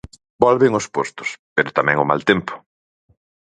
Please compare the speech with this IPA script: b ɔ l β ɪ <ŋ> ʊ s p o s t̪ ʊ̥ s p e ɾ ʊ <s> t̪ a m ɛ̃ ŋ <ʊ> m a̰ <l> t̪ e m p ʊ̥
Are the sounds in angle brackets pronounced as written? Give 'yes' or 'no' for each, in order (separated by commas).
yes, no, yes, yes